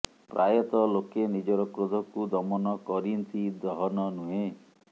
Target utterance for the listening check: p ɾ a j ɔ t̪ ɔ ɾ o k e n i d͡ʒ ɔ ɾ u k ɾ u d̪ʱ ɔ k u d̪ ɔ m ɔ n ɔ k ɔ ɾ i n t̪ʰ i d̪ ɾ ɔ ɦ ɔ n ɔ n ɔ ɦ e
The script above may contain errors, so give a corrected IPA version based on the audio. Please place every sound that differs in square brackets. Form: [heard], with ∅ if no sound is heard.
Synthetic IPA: p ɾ a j ɔ t̪ ɔ [l] o k e n i d͡ʒ ɔ ɾ [ɔ] k ɾ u d̪ʱ ɔ k u d̪ ɔ m ɔ n ɔ k ɔ ɾ i n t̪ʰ i d̪ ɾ ɔ ɦ ɔ n ɔ n [u] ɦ e